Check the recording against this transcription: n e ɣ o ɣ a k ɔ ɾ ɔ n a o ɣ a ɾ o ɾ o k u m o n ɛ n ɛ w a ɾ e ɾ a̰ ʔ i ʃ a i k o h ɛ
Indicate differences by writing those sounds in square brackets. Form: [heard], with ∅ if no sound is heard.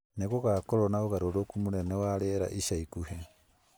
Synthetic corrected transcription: n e ɣ o ɣ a k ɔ ɾ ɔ n a o ɣ a ɾ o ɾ o k u m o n ɛ n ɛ w a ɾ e ɾ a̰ ʔ i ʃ a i k [u] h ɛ